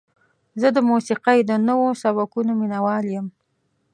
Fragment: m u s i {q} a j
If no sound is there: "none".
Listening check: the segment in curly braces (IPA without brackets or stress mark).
q